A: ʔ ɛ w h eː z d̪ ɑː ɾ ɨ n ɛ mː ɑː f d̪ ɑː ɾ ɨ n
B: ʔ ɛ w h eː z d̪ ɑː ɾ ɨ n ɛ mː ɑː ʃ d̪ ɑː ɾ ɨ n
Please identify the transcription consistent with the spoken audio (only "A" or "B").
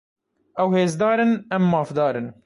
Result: A